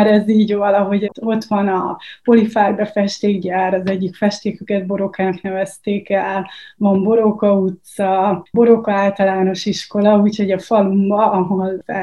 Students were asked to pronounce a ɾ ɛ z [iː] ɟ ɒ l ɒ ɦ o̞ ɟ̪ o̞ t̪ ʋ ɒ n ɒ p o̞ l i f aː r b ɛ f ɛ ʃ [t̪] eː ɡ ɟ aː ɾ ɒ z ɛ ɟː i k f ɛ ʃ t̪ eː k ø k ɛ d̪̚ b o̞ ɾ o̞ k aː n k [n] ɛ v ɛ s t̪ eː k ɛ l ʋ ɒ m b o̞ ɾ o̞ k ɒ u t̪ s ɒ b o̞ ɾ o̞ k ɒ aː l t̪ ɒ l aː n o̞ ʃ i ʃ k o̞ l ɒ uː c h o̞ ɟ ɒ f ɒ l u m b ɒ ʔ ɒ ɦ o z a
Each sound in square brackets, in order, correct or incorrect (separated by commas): correct, correct, correct